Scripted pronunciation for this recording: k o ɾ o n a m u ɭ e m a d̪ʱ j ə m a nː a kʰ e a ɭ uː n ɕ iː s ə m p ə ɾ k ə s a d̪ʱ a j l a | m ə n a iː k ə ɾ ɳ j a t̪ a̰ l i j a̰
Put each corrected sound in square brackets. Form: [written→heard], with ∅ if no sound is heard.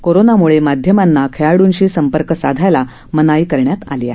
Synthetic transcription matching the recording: k o ɾ o n a m u ɭ e m a d̪ʱ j ə m a nː a kʰ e a [ɭ→ɽ] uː n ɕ iː s ə m p ə ɾ k ə s a d̪ʱ a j l a | m ə n a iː k ə ɾ ɳ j a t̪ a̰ l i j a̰